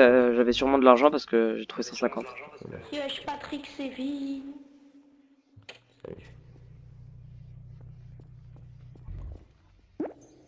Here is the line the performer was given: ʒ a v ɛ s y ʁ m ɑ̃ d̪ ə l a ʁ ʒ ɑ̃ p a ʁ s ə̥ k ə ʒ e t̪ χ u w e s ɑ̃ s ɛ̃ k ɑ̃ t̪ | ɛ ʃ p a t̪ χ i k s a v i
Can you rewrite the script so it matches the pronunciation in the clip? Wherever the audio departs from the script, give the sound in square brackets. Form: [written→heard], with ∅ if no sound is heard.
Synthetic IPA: ʒ a v ɛ s y ʁ m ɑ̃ d̪ ə l a ʁ ʒ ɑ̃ p a ʁ s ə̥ k ə ʒ e t̪ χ u [w→v] e s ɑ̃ s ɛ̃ k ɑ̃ t̪ | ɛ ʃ p a t̪ χ i k s [a→e] v i